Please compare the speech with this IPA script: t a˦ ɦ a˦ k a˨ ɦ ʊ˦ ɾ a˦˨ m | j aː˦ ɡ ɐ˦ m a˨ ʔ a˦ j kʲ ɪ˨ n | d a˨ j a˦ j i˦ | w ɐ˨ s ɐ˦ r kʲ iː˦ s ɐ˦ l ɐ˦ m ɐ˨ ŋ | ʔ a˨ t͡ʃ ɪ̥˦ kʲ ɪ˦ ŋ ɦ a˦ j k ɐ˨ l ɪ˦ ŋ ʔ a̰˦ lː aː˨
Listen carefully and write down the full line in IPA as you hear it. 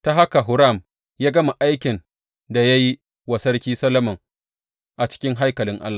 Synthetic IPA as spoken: t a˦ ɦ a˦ k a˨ ɦ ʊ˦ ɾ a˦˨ m | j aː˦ ɡ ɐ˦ m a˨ ʔ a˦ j kʲ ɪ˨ n | d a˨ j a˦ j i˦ | w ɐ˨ s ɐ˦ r kʲ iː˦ s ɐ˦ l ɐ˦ m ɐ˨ ŋ | ʔ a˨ t͡ʃ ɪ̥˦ kʲ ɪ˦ ŋ ɦ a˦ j k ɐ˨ l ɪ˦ ŋ ʔ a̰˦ lː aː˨